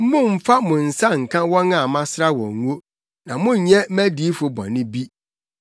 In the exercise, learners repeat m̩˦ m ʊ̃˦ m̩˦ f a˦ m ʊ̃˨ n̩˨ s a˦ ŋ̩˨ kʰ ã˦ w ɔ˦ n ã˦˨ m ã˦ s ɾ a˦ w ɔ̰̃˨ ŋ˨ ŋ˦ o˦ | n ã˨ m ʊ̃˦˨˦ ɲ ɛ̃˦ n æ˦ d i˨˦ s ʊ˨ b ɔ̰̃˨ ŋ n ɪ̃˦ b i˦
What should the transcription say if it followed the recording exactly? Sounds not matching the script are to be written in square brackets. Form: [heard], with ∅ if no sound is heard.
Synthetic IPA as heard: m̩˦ m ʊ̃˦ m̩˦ f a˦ m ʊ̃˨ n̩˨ s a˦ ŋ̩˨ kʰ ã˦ w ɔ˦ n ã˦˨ m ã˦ s ɾ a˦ w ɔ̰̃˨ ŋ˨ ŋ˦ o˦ | n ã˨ m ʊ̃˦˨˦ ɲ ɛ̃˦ [m] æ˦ d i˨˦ [f] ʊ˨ b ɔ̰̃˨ [∅] n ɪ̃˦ b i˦